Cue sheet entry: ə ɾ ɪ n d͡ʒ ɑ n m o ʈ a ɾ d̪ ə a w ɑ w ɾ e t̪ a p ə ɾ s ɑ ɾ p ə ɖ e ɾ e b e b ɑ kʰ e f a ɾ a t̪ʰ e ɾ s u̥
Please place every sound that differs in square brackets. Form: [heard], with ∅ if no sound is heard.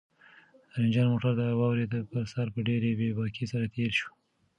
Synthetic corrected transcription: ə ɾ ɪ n d͡ʒ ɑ n m o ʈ a ɾ d̪ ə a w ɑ w ɾ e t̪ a p ə ɾ s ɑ ɾ p ə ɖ e ɾ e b e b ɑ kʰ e [s] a ɾ a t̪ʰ e ɾ [ʃ] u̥